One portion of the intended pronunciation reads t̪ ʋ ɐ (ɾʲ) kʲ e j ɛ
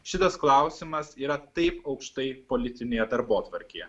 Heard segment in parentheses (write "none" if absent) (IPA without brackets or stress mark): ɾʲ